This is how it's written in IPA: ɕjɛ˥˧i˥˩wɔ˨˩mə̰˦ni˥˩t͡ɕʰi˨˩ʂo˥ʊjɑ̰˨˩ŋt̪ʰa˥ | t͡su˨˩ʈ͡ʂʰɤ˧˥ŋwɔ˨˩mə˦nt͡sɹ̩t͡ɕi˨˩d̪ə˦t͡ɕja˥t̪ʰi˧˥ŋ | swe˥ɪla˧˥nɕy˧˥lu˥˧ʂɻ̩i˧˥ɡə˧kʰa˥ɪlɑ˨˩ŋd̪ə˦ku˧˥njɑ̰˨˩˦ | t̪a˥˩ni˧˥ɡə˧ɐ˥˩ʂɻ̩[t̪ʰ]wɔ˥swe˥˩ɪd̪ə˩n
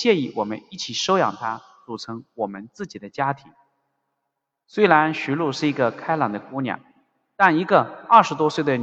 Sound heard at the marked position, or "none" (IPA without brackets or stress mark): t̪